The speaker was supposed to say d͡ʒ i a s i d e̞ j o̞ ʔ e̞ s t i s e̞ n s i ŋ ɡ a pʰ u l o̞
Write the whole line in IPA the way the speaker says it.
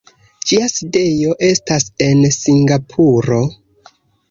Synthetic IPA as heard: d͡ʒ i a s i d e̞ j o̞ ʔ e̞ s t a s e̞ n s i ŋ ɡ a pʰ u ɾ o̞